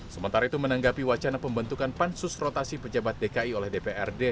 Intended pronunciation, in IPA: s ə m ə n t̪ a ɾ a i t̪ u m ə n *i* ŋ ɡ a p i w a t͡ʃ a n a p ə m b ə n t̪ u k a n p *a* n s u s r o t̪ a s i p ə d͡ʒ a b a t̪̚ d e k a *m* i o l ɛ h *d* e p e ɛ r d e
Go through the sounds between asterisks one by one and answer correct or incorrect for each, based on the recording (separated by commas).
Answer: incorrect, correct, incorrect, correct